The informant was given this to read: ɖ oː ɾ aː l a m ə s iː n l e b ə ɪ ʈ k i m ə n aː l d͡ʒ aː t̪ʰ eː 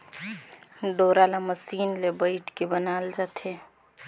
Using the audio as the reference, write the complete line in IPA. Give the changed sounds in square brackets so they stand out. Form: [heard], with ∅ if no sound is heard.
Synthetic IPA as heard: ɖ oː ɾ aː l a m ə s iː n l e b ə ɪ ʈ k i [b] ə n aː l d͡ʒ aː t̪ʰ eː